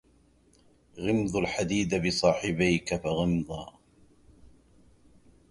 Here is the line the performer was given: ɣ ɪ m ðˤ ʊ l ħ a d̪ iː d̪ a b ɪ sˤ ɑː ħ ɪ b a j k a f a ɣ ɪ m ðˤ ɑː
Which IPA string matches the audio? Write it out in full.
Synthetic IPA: ɣ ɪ m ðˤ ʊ l ħ a d̪ iː d̪ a b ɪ sˤ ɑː ħ ɪ b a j k a f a ɣ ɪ m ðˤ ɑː